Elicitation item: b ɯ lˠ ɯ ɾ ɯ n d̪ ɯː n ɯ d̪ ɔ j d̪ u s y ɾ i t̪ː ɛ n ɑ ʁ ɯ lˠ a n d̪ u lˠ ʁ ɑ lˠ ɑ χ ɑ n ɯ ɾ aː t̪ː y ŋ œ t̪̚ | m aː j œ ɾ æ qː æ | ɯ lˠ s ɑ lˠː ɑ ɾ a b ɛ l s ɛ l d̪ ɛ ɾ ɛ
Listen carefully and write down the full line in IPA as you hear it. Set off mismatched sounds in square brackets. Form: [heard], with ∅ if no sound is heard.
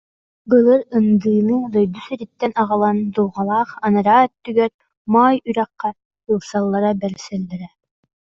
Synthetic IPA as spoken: b ɯ lˠ ɯ ɾ ɯ n d̪ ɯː n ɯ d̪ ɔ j d̪ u s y ɾ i t̪ː ɛ n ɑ ʁ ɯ lˠ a n d̪ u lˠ ʁ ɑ lˠ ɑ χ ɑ n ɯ ɾ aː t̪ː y [ɡ] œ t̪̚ | m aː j [y] ɾ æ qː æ | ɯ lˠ s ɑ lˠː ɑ ɾ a b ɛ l s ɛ l d̪ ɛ ɾ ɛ